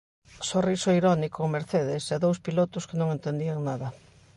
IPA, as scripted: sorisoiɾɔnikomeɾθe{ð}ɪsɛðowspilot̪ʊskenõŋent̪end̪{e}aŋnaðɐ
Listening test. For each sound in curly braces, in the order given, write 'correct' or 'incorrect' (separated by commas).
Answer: correct, incorrect